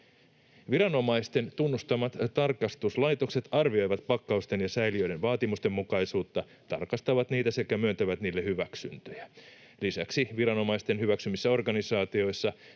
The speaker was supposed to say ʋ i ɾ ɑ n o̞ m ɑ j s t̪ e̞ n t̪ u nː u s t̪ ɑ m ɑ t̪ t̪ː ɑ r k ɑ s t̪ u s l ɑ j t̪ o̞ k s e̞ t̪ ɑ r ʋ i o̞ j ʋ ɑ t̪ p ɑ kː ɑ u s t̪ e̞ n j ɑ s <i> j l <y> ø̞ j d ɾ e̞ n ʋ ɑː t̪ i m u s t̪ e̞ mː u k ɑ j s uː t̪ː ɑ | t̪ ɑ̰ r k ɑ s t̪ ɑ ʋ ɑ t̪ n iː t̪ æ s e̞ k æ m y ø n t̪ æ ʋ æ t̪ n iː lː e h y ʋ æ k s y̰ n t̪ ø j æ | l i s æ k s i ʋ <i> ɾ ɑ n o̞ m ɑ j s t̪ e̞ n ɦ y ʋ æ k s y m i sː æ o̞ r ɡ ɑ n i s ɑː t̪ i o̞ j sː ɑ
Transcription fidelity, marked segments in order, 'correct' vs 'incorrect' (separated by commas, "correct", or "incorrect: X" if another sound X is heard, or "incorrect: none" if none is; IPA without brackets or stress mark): incorrect: æ, incorrect: i, correct